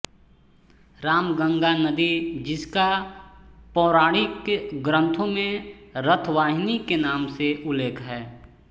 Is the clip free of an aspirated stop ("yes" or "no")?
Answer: no